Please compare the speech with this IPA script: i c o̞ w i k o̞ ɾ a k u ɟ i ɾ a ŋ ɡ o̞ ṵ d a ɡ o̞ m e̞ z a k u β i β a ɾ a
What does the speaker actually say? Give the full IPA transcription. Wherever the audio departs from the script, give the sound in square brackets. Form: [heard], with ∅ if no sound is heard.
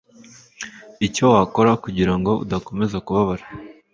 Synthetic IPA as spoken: i c o̞ w [a] k o̞ ɾ a k u ɟ i ɾ a ŋ ɡ o̞ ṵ d a [k] o̞ m e̞ z a k u β [a] β a ɾ a